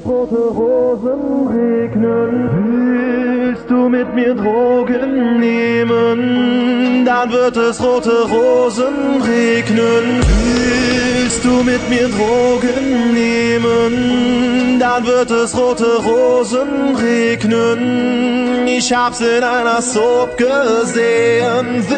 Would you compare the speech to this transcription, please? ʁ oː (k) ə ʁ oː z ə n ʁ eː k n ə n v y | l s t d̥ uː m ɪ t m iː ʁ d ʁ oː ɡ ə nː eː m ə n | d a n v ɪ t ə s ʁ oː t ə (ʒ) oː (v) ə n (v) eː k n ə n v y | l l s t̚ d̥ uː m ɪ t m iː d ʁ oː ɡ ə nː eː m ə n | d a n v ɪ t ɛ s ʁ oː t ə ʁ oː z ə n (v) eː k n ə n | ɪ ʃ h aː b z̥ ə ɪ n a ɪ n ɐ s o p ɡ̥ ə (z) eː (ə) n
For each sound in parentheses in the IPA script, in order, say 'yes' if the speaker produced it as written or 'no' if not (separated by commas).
no, no, no, no, no, yes, yes